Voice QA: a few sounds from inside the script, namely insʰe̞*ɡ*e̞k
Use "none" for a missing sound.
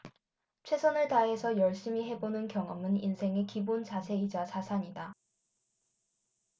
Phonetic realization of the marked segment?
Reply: ŋ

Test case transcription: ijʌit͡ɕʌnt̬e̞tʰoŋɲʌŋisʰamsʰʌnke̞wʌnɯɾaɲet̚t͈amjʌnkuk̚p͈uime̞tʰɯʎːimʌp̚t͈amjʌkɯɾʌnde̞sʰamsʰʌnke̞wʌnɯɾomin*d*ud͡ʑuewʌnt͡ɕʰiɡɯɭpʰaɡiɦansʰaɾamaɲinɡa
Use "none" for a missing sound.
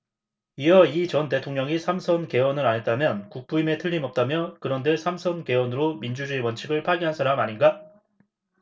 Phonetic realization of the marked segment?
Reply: d͡ʑ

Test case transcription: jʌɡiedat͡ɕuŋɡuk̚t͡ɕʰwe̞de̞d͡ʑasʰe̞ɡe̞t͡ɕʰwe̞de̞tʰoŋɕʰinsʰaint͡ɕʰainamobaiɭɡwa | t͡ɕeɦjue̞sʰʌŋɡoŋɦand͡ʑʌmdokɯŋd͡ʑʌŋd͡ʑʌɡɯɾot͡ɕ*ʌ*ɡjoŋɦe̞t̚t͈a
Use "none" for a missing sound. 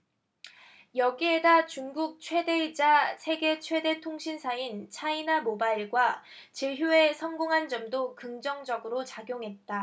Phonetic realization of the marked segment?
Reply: a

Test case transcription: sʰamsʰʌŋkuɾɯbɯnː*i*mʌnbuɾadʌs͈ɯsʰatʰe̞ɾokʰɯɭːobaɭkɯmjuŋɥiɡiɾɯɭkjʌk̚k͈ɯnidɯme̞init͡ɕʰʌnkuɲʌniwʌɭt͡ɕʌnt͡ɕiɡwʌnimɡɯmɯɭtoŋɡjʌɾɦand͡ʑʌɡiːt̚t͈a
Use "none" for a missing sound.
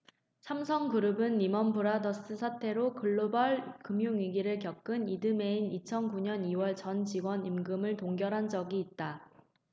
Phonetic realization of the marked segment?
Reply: i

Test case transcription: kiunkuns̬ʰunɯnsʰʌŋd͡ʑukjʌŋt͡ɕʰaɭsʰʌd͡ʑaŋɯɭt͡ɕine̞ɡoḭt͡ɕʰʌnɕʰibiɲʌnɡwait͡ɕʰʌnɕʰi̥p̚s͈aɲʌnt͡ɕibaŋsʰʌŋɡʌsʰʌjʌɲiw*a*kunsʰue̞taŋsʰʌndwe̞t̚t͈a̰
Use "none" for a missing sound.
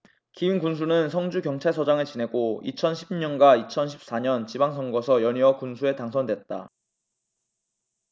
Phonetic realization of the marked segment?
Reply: ʌ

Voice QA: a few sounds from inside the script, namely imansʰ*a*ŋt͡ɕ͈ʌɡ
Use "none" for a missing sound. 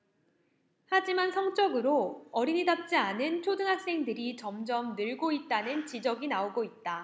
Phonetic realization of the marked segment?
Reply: ʌ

